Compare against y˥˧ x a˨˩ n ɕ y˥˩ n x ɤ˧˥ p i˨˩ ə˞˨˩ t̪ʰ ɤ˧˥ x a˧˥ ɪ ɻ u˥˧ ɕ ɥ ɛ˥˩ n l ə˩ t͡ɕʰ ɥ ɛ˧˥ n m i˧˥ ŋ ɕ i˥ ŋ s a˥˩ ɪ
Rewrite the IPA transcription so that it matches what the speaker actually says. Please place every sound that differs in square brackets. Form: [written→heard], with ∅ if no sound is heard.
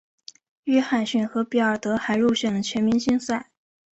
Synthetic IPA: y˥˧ x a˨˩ n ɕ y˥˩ n x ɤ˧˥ p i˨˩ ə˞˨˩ [t̪ʰ→t̪] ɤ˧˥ x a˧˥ ɪ ɻ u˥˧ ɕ ɥ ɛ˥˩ n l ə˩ t͡ɕʰ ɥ ɛ˧˥ n m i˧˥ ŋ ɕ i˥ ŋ s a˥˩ ɪ